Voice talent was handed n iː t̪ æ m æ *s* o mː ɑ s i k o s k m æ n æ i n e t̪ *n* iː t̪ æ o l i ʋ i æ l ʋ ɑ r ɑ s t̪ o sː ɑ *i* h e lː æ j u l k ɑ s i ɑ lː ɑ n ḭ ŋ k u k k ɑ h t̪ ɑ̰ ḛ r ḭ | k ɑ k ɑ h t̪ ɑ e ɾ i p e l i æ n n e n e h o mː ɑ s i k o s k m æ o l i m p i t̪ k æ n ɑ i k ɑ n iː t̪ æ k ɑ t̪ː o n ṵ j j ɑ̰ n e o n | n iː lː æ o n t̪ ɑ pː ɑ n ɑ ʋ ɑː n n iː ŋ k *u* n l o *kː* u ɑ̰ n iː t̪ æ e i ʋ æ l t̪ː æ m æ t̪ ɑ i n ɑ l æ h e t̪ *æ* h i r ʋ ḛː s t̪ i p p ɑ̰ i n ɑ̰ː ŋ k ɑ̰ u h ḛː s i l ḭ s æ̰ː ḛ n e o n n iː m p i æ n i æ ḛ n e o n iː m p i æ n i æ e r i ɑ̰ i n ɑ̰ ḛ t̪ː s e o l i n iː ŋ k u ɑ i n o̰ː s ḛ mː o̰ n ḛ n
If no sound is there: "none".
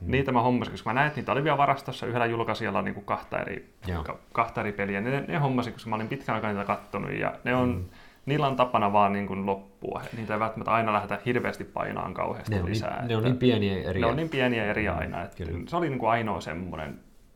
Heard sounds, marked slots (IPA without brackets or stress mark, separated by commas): h, n, y, u, pː, æ